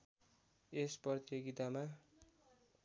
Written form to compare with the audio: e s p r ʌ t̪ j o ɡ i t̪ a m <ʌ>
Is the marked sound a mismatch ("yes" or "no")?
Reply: yes